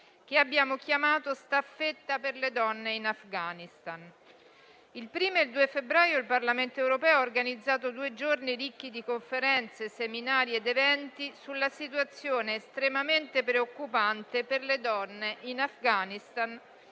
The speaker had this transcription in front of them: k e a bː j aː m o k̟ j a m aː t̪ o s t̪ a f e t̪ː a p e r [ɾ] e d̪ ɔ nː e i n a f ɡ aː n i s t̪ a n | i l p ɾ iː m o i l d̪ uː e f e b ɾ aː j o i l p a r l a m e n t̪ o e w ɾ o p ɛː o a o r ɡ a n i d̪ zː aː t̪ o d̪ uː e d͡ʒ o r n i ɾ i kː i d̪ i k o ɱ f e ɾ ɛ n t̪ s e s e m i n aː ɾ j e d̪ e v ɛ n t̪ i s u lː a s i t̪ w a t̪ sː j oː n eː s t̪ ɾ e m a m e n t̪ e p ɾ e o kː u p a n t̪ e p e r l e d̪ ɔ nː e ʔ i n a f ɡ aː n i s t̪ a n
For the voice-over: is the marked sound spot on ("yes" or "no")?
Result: no